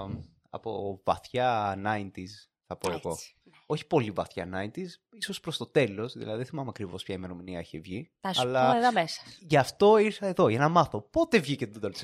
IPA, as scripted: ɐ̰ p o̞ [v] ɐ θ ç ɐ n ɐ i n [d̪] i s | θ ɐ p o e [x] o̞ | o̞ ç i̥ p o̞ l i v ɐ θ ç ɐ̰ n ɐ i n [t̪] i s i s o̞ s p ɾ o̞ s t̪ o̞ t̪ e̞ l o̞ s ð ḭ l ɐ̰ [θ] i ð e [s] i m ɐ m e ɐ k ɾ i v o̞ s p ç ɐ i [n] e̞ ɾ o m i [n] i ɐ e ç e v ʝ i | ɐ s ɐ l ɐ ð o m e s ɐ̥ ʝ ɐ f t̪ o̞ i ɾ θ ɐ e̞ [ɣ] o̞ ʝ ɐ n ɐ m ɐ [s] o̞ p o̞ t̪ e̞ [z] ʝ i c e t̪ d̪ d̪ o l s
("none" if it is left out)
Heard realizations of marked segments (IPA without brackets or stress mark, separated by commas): v, t̪, ɣ, t̪, ð, θ, m, n, ð, θ, v